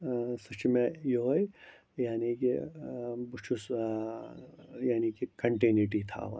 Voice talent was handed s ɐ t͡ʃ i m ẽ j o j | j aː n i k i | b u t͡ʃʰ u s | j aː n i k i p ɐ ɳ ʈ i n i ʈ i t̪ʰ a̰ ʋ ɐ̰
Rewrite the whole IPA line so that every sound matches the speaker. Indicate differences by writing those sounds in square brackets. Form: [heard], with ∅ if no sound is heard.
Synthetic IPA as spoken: s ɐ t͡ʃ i m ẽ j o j | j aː n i k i | b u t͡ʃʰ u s | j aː n i k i [k] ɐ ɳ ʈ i n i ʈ i t̪ʰ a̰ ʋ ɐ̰